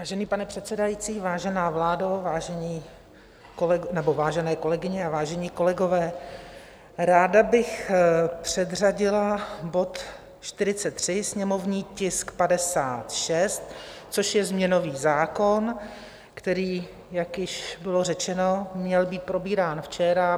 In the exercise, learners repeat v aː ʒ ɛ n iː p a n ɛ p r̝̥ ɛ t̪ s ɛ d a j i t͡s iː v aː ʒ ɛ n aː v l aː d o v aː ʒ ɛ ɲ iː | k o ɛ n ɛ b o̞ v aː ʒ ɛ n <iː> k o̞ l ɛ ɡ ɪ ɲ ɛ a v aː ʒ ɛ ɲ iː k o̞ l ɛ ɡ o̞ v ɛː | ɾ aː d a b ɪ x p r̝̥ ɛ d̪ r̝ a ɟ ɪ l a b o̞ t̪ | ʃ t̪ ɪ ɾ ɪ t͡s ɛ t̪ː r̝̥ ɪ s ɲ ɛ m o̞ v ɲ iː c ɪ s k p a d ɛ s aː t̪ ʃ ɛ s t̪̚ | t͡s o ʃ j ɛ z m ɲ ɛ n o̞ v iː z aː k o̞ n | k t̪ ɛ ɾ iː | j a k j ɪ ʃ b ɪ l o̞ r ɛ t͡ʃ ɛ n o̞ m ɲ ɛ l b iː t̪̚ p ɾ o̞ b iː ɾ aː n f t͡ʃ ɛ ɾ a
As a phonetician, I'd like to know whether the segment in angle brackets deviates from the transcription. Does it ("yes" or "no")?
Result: yes